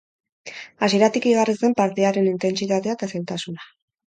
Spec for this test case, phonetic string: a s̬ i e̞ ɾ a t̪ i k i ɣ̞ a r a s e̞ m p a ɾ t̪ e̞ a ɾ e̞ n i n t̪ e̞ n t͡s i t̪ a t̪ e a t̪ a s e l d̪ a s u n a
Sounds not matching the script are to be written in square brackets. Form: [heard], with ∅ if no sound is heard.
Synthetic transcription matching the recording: a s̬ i e̞ ɾ a t̪ i k i ɣ̞ a r [i] s e̞ m p a ɾ t̪ e̞ a ɾ e̞ n i n t̪ e̞ n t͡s i t̪ a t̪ e a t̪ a s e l [t̪] a s u n a